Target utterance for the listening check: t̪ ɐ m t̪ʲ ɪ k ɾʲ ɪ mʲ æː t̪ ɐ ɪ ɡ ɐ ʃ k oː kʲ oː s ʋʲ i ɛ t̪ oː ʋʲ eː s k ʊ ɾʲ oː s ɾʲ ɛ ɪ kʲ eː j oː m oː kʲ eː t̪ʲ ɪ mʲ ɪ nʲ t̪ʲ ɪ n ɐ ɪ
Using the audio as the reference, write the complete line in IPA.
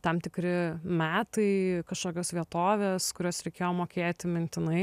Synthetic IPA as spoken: t̪ ɐ m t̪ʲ ɪ k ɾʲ ɪ mʲ æː t̪ ɐ ɪ k ɐ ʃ k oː kʲ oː s ʋʲ i ɛ t̪ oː ʋʲ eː s k ʊ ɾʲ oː s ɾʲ ɛ ɪ kʲ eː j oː m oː kʲ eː t̪ʲ ɪ mʲ ɪ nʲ t̪ʲ ɪ n ɐ ɪ